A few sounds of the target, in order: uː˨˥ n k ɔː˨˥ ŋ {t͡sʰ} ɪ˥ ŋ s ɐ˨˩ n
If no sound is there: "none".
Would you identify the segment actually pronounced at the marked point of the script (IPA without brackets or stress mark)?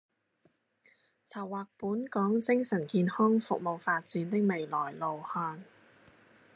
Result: t͡s